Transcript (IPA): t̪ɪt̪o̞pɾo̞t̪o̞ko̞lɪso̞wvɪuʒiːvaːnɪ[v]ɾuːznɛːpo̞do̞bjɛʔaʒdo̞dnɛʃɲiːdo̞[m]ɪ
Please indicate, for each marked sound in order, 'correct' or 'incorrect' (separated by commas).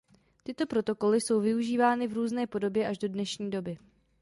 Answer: correct, incorrect